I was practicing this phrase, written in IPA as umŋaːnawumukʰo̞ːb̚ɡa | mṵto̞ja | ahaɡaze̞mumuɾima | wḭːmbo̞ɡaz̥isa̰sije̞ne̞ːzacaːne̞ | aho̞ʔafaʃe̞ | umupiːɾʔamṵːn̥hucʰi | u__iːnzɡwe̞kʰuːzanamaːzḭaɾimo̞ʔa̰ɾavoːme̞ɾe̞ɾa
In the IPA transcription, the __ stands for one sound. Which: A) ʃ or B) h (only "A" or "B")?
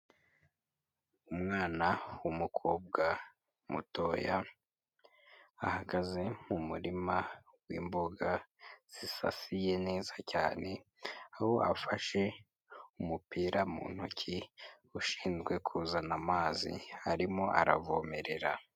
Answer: A